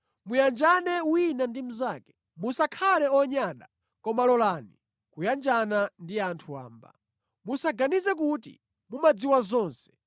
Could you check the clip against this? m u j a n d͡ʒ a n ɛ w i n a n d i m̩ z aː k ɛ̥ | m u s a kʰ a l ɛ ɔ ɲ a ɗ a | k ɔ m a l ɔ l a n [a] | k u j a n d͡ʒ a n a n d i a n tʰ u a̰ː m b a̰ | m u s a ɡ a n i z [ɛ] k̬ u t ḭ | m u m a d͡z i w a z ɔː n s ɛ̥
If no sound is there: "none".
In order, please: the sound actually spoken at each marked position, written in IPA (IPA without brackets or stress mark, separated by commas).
i, ɛ